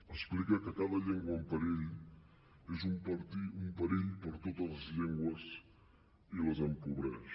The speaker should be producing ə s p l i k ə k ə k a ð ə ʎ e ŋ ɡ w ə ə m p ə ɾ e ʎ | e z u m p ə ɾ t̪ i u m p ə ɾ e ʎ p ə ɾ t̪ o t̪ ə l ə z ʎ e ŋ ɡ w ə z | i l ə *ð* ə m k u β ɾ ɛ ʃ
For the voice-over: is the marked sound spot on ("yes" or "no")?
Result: no